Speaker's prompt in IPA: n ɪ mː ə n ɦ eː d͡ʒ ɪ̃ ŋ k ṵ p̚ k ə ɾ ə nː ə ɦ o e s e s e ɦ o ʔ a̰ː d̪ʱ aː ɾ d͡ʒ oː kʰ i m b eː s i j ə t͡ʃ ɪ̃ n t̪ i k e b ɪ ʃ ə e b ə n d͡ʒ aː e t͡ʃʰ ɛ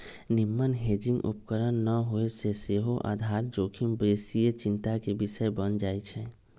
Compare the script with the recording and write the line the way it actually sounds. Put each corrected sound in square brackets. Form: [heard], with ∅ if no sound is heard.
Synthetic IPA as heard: n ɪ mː ə n ɦ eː d͡ʒ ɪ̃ ŋ [ɡ] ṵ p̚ k ə ɾ ə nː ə ɦ o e s e s e ɦ o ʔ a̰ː d̪ʱ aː ɾ d͡ʒ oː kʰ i m b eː s i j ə t͡ʃ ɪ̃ n t̪ [a] k e b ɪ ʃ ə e b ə n d͡ʒ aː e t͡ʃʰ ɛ